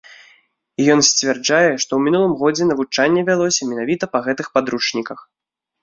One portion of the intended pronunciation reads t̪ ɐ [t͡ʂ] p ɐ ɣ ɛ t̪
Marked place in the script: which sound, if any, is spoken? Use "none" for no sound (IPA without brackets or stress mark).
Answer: none